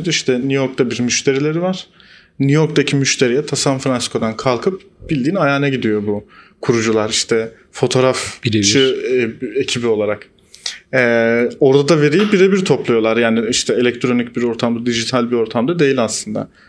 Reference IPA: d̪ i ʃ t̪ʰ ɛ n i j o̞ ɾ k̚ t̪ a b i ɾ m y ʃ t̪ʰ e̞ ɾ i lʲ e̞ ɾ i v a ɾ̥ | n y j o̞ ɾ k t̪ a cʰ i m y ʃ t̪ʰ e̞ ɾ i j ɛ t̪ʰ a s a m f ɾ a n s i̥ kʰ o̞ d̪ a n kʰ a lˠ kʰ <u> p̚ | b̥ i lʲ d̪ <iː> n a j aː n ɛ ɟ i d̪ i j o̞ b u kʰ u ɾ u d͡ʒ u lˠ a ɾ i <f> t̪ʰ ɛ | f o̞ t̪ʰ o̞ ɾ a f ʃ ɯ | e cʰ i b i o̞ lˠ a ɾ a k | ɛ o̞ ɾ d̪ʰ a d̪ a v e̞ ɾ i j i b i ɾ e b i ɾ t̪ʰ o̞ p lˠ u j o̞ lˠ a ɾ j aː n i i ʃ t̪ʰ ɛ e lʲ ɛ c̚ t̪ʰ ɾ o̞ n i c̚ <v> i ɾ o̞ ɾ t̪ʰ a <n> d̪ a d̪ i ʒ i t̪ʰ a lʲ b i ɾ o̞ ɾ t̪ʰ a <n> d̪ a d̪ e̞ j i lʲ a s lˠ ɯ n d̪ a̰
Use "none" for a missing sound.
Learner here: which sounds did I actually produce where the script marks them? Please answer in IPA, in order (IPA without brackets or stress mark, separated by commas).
ɯ, iː, ʃ, b, m, m